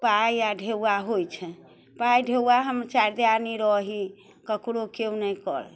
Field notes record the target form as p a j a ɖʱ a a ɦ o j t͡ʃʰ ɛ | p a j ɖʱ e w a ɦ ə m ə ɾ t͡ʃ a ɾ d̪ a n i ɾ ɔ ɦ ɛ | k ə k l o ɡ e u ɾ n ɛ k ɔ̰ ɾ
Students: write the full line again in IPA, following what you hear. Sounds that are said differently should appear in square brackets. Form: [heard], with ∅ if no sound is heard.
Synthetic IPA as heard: p a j a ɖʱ [e] a ɦ o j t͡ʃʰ ɛ | p a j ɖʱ e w a ɦ ə m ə ɾ t͡ʃ a ɾ d̪ a n i ɾ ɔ ɦ [i] | k ə k [ɽ] o [k] e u [∅] n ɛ k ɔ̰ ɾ